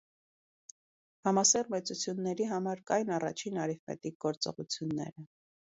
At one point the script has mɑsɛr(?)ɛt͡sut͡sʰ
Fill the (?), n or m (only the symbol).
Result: m